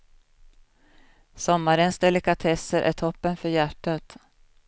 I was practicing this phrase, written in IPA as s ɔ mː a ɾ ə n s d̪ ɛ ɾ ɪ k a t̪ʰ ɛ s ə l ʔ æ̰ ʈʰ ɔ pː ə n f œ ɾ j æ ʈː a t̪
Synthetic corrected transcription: s ɔ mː a ɾ ə n s d̪ ɛ l ɪ k a t̪ʰ ɛ s ə ɾ ʔ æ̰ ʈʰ ɔ pː ə n f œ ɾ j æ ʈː a t̪